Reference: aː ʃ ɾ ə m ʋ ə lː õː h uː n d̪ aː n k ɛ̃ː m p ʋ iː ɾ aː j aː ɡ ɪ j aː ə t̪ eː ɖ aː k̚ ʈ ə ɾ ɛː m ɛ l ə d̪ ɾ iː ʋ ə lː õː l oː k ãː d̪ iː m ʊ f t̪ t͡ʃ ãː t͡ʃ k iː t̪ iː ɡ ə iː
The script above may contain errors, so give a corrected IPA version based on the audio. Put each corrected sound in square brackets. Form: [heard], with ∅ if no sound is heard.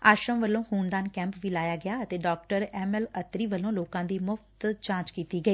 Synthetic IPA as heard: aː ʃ ɾ ə m ʋ ə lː õː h uː n d̪ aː n k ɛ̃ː m p ʋ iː [l] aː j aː ɡ ɪ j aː ə t̪ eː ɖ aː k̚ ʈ ə ɾ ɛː m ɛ l ə [t̪] ɾ iː ʋ ə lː õː l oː k ãː d̪ iː m ʊ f t̪ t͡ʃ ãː t͡ʃ k iː t̪ iː ɡ ə iː